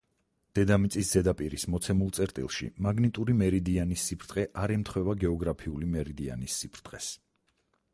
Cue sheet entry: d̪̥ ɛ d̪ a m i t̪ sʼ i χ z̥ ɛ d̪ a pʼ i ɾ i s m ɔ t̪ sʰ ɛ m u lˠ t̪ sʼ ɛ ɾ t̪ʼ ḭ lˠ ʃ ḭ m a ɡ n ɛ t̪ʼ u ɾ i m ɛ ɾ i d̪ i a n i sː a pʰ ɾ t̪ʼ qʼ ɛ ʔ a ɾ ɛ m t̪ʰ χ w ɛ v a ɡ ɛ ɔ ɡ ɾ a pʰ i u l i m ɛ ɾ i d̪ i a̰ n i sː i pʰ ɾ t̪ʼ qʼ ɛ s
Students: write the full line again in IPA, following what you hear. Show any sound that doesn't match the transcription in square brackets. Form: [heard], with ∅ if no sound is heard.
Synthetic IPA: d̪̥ ɛ d̪ a m i t̪ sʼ i [s] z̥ ɛ d̪ a pʼ i ɾ i s m ɔ t̪ sʰ ɛ m u lˠ t̪ sʼ ɛ ɾ t̪ʼ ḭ lˠ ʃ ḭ m a ɡ n [i] t̪ʼ u ɾ i m ɛ ɾ i d̪ i a n i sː [i] pʰ ɾ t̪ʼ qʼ ɛ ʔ a ɾ ɛ m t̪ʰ χ w ɛ v a ɡ ɛ ɔ ɡ ɾ a pʰ i u l i m ɛ ɾ i d̪ i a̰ n i sː i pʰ ɾ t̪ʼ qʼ ɛ s

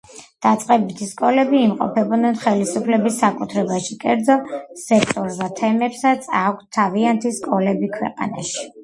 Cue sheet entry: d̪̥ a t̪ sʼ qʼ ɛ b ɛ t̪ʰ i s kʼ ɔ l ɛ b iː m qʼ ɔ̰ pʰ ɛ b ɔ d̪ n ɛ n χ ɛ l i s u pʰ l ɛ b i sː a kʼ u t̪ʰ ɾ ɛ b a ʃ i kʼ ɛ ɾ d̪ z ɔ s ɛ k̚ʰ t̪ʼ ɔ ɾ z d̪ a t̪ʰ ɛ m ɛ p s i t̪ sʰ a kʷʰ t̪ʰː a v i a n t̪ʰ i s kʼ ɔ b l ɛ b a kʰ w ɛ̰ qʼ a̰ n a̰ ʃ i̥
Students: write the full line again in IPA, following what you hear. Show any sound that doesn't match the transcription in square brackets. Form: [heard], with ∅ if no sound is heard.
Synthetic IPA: d̪̥ a t̪ sʼ qʼ ɛ b [i] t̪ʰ i s kʼ ɔ l ɛ b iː m qʼ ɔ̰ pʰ ɛ b ɔ d̪ n ɛ n χ ɛ l i s u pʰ l ɛ b i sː a kʼ u t̪ʰ ɾ ɛ b a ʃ i kʼ ɛ ɾ d̪ z ɔ s ɛ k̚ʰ t̪ʼ ɔ ɾ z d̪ a t̪ʰ ɛ m ɛ p s [a] t̪ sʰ a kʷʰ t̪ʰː a v i a n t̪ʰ i s kʼ ɔ [∅] l ɛ b [i] kʰ w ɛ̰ qʼ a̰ n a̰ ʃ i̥

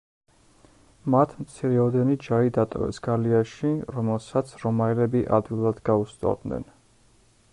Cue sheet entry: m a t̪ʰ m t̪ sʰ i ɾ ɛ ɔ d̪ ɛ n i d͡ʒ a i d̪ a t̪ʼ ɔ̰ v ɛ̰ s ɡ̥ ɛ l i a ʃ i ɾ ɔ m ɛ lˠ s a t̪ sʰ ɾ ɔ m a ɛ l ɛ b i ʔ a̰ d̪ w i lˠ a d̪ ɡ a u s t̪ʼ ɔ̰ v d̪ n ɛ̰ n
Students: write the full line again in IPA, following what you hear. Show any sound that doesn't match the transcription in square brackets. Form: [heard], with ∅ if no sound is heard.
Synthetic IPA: m a t̪ʰ m t̪ sʰ i ɾ ɛ ɔ d̪ ɛ n i d͡ʒ a i d̪ a t̪ʼ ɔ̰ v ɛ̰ s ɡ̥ [a] l i a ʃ i ɾ ɔ m ɛ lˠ s a t̪ sʰ ɾ ɔ m a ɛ l ɛ b i ʔ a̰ d̪ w i lˠ a d̪ ɡ a u s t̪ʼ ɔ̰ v d̪ n ɛ̰ n

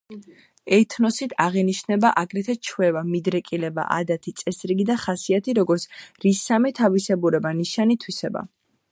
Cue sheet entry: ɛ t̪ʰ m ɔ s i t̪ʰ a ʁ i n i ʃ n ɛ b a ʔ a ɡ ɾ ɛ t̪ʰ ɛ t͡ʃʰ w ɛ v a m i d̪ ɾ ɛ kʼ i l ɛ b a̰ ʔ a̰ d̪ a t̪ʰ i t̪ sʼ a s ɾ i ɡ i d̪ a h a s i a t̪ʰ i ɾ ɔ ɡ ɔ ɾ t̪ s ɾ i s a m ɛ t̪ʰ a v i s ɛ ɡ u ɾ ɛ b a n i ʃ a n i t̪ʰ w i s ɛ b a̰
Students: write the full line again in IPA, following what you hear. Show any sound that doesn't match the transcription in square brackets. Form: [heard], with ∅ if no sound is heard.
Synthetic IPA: ɛ t̪ʰ [n] ɔ s i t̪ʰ a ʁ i n i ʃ n ɛ b a ʔ a ɡ ɾ ɛ t̪ʰ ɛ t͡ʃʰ w ɛ v a m i d̪ ɾ ɛ kʼ i l ɛ b a̰ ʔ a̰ d̪ a t̪ʰ i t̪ sʼ [ɛ] s ɾ i ɡ i d̪ a [χ] a s i a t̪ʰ i ɾ ɔ ɡ ɔ ɾ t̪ s ɾ i s a m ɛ t̪ʰ a v i s ɛ [b] u ɾ ɛ b a n i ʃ a n i t̪ʰ w i s ɛ b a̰

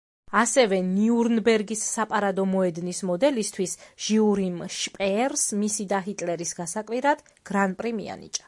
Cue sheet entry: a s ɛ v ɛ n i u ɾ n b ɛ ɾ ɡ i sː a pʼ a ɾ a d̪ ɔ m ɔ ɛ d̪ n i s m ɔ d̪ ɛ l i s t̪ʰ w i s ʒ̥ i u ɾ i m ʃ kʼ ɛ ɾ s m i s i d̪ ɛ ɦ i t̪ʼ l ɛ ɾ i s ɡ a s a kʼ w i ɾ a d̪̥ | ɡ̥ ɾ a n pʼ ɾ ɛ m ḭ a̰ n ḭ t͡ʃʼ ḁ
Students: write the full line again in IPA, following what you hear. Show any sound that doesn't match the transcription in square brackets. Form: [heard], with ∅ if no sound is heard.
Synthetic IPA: a s ɛ v ɛ n i u ɾ n b ɛ ɾ ɡ i sː a pʼ a ɾ a d̪ ɔ m ɔ ɛ d̪ n i s m ɔ d̪ ɛ l i s t̪ʰ w i s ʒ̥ i u ɾ i m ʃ [pʼ] ɛ ɾ s m i s i d̪ [a] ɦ i t̪ʼ l ɛ ɾ i s ɡ a s a kʼ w i ɾ a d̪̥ | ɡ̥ ɾ a n pʼ ɾ [i] m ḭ a̰ n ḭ t͡ʃʼ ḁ

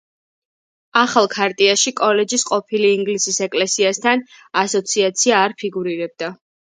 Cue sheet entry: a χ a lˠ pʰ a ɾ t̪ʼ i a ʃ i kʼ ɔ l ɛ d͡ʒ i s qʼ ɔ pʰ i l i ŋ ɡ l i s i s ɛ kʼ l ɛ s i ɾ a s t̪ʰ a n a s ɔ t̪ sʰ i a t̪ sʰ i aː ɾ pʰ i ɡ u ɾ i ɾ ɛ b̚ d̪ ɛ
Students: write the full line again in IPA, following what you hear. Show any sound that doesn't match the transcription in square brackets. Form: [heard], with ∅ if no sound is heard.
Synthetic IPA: a χ a lˠ [kʰ] a ɾ t̪ʼ i a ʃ i kʼ ɔ l ɛ d͡ʒ i s qʼ ɔ pʰ i l [iː] ŋ ɡ l i s i s ɛ kʼ l ɛ s i [∅] a s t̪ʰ a n a s ɔ t̪ sʰ i a t̪ sʰ i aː ɾ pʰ i ɡ u ɾ i ɾ ɛ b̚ d̪ [a]

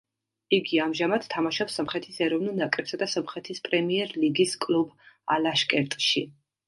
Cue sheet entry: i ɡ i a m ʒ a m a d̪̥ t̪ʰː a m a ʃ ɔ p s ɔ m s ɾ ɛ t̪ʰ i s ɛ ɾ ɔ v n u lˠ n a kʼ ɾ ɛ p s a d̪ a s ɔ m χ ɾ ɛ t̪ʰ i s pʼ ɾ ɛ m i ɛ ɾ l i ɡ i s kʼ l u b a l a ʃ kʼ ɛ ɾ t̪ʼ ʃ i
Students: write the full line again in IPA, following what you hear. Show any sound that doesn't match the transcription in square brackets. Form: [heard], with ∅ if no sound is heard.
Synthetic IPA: i ɡ i a m ʒ a m a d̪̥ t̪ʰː a m a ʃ ɔ p s ɔ m [χ] ɾ ɛ t̪ʰ i s ɛ ɾ ɔ v n u lˠ n a kʼ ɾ ɛ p s a d̪ a s ɔ m χ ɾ ɛ t̪ʰ i s pʼ ɾ ɛ m i ɛ ɾ l i ɡ i s kʼ l u b a l a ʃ kʼ ɛ ɾ t̪ʼ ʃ i

